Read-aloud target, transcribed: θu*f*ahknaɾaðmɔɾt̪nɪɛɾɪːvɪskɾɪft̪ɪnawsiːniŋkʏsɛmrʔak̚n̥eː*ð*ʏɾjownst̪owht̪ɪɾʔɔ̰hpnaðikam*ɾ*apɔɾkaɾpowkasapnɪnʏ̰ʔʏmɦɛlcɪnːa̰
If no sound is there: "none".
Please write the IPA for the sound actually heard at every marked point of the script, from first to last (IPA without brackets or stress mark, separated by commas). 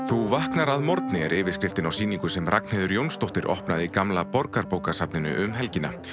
v, ð, l